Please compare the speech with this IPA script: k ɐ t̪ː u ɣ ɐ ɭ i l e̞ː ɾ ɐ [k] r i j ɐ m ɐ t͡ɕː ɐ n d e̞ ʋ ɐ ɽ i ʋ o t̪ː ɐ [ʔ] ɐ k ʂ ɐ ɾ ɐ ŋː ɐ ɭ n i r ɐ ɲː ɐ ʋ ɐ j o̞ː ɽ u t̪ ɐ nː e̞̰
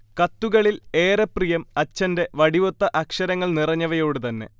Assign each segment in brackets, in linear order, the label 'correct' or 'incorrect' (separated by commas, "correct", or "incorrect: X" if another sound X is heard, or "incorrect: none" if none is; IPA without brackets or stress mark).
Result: incorrect: p, correct